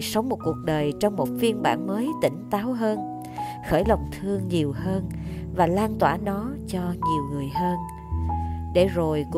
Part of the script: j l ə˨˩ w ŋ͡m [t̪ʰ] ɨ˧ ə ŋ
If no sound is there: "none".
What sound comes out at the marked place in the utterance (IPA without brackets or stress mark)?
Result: t̪ʰ